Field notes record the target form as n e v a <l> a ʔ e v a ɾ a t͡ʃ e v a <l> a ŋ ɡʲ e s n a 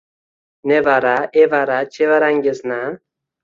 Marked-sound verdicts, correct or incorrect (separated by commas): incorrect, incorrect